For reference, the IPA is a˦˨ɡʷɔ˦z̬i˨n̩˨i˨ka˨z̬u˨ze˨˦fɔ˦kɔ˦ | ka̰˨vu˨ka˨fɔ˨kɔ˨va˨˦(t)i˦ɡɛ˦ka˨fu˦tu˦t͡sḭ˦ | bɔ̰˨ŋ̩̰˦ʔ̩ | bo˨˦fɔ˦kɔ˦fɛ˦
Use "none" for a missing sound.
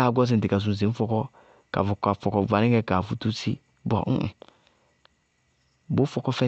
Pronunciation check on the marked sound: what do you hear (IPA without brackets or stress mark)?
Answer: none